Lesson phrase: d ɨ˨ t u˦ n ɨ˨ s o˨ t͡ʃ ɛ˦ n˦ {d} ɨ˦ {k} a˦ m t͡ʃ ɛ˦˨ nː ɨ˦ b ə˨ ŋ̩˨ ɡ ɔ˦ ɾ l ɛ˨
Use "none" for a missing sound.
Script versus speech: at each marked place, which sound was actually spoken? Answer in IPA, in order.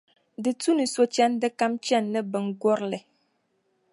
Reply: d, k

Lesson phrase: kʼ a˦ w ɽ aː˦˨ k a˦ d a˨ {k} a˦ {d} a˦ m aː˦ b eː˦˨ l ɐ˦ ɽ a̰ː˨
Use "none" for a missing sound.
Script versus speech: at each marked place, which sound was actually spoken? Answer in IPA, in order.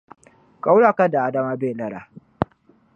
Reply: ʔ, d

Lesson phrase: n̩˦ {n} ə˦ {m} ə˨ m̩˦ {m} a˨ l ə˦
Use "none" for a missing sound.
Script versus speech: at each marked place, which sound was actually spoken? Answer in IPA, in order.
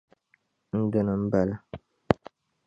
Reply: d, n, b

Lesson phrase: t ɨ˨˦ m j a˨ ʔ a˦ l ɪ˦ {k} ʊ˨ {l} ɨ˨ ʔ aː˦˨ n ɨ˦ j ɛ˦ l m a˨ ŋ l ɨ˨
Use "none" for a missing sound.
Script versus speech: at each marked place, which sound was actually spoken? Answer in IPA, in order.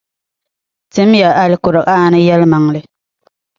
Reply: k, ɾ

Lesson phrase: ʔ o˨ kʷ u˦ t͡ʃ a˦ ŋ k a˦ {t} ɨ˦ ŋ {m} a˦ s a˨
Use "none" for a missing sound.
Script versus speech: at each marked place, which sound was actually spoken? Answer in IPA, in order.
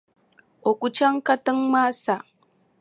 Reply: t, m

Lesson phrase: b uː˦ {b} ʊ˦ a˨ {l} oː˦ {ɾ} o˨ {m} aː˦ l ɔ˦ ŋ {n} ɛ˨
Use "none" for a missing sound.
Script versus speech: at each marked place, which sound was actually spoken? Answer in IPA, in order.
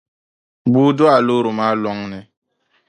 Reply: d, l, ɾ, m, n

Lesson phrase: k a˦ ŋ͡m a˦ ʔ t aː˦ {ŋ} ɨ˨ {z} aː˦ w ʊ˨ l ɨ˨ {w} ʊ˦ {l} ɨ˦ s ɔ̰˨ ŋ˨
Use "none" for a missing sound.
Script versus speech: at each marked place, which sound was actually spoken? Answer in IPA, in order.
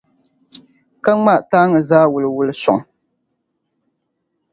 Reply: ŋ, z, w, l

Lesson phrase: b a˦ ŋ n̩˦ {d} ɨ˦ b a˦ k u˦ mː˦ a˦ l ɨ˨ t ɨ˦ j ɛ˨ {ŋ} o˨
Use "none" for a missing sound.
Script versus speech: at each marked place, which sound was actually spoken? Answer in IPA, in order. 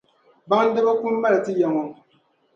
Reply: d, ŋ

